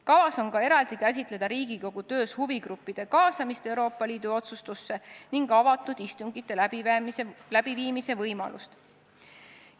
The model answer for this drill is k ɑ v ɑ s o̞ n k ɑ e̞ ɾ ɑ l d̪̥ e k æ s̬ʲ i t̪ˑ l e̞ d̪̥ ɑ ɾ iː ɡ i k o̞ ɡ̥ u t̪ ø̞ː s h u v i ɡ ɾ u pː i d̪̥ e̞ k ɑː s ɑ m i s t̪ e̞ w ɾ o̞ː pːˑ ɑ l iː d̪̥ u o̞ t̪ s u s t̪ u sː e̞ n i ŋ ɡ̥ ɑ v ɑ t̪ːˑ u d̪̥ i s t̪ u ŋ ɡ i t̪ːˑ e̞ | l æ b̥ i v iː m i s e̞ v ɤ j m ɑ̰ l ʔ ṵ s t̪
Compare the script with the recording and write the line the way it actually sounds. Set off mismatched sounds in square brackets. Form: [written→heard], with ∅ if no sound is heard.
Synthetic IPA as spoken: k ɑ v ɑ s o̞ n k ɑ e̞ ɾ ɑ l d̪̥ [e→i] k æ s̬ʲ i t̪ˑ l e̞ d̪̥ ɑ ɾ iː ɡ i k o̞ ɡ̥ u t̪ ø̞ː s h u v i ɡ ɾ u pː i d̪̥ e̞ k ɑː s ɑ m i s t̪ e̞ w ɾ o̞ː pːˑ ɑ l iː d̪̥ u o̞ t̪ s u s t̪ u sː e̞ n i ŋ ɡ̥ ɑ v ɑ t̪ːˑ u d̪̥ i s t̪ u ŋ ɡ i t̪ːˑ e̞ | l æ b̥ i v iː m i s e̞ v ɤ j m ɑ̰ l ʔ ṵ s t̪